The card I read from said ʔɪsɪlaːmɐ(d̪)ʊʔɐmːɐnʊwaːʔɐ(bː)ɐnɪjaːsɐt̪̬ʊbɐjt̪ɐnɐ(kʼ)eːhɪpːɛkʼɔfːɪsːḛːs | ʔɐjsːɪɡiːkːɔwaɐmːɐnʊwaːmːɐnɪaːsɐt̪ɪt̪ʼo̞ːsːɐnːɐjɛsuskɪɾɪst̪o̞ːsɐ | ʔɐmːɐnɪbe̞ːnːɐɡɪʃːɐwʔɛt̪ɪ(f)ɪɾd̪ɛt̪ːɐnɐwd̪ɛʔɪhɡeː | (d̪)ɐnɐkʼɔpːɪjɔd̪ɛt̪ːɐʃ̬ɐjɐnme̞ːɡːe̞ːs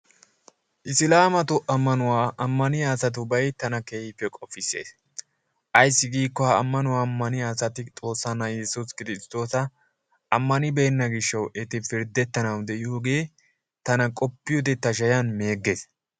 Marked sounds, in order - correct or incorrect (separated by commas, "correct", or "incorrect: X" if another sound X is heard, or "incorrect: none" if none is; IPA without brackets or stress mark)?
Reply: incorrect: t̪, incorrect: mː, incorrect: k, correct, incorrect: t̪